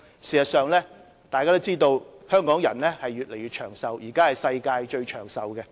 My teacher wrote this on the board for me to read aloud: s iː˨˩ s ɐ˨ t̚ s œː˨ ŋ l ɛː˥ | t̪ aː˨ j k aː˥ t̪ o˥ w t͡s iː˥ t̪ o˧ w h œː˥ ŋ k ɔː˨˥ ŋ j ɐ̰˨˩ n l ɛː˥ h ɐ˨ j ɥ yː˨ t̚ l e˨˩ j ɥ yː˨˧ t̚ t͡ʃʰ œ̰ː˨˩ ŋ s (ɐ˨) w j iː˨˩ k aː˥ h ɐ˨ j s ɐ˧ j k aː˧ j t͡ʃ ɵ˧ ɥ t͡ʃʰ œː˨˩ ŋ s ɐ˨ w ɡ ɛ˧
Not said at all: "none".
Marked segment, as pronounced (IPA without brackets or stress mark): ɐ˨